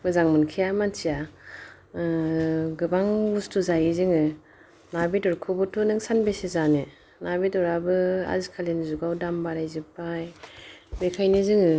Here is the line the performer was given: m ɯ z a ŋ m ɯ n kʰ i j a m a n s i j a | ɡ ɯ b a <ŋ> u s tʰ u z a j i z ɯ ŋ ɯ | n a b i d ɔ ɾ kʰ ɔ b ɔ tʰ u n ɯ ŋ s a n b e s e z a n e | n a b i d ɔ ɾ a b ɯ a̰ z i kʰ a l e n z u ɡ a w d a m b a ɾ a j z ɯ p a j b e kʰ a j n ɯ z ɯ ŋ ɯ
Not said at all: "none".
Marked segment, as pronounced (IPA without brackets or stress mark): ŋ